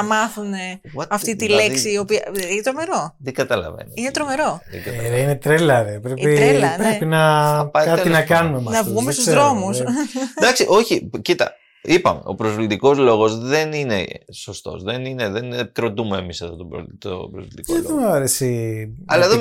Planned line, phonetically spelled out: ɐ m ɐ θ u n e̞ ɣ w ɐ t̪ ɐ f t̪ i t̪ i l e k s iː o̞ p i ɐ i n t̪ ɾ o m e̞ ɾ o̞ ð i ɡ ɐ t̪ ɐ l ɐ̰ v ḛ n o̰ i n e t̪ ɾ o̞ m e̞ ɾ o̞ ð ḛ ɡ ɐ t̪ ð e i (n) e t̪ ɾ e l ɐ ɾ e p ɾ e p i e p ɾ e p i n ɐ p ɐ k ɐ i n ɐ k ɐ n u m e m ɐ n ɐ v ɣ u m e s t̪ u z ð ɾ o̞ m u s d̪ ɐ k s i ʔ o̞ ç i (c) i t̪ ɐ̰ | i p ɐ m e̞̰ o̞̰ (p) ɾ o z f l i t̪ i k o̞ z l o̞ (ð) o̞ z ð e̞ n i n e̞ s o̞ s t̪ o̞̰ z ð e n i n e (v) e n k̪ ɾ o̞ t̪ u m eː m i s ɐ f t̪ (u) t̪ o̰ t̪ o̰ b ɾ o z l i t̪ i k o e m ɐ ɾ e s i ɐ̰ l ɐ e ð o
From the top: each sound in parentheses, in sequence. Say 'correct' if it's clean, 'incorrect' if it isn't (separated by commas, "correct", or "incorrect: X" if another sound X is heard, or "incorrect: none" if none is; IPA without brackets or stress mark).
correct, correct, correct, incorrect: ɣ, incorrect: ð, incorrect: o